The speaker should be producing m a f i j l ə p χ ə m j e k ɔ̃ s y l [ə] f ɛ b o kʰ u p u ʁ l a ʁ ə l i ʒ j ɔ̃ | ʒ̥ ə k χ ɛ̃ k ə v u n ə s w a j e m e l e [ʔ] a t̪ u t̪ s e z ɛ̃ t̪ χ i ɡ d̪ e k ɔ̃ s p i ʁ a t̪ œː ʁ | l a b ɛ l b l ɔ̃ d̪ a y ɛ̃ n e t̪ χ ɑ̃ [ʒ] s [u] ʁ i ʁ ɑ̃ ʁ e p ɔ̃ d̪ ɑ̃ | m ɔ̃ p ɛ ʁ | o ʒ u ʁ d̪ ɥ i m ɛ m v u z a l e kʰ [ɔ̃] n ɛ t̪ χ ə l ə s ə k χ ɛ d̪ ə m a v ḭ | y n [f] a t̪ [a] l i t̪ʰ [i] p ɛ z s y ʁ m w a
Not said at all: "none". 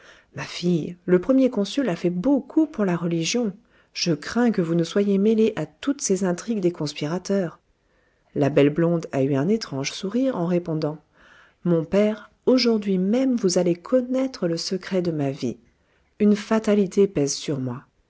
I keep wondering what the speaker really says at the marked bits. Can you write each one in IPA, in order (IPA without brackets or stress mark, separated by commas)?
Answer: a, ʔ, ʒ, u, ɔ, f, a, e